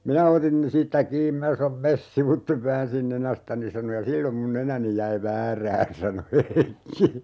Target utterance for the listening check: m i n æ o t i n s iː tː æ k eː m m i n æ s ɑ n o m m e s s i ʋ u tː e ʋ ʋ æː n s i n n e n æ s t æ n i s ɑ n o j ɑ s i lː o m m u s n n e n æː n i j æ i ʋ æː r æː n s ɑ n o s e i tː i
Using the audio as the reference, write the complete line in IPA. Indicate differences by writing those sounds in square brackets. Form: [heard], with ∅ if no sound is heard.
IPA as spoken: m i n æ o t i n s iː tː æ k [iː] m m i n æ s ɑ n o m m e s s i ʋ u tː e ʋ ʋ æː n s i n n e n æ s t æ n i s ɑ n o j ɑ s i lː o m m u [∅] n n e n [æ] n i j æ i ʋ æː r æː n s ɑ n o [h] e i [kː] i